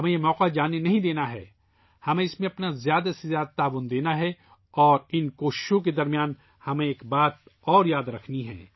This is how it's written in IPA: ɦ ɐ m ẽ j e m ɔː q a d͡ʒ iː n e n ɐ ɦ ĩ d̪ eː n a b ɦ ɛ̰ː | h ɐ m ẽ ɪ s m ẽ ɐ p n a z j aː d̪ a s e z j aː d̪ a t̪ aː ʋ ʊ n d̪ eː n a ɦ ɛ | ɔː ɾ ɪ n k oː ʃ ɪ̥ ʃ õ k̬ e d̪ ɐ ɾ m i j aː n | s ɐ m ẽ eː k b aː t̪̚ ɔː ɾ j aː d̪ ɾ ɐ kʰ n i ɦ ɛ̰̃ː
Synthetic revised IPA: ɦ ɐ m ẽ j e m ɔː q a d͡ʒ aː n e n ɐ ɦ ĩ d̪ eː n a ɦ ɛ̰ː | h ɐ m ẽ ɪ s m ẽ ɐ p n a z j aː d̪ a s e z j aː d̪ a t̪ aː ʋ ʊ n d̪ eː n a ɦ ɛ | ɔː ɾ ɪ n k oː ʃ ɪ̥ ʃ õ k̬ e d̪ ɐ ɾ m i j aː n | h ɐ m ẽ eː k b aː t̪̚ ɔː ɾ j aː d̪ ɾ ɐ kʰ n i ɦ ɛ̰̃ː